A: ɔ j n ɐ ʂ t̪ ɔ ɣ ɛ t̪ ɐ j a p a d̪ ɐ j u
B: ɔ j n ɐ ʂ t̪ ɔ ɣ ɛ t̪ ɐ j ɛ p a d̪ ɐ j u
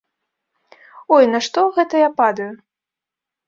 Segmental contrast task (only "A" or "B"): A